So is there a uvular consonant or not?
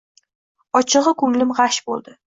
yes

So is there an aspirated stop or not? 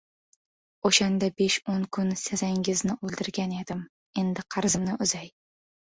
yes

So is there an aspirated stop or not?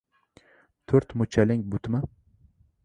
yes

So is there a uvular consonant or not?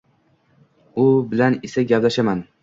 no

